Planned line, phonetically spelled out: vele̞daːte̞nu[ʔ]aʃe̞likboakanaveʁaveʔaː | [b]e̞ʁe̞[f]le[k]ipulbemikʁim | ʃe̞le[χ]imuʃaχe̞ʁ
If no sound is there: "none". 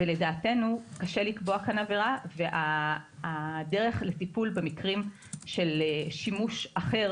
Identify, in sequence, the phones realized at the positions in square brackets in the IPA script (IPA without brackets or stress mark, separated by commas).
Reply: k, d, χ, t, ʃ